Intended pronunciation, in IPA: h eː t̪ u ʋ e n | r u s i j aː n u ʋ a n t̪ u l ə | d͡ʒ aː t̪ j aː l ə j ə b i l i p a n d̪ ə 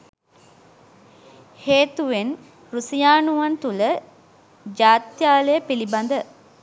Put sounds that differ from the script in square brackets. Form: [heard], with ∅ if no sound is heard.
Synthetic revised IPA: h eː t̪ u ʋ e n | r u s i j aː n u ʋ a n t̪ u l ə | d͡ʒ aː t̪ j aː l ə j ə [p] i l i [b] a n d̪ ə